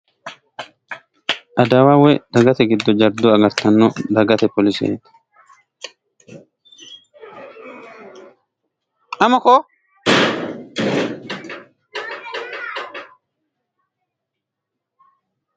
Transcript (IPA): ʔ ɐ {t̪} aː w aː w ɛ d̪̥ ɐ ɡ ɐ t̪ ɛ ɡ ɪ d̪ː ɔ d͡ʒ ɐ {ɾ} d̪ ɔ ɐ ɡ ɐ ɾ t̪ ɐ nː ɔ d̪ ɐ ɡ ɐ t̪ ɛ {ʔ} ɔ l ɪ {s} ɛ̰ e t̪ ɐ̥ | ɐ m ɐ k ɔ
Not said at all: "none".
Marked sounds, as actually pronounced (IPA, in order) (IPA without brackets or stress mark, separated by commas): d̪, ɾ, p, s